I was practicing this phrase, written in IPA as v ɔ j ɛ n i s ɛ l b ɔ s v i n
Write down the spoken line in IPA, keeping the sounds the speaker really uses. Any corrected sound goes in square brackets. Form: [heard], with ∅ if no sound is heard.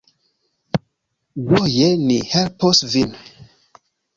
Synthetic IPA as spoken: [w] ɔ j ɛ n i [h] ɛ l [p] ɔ s v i n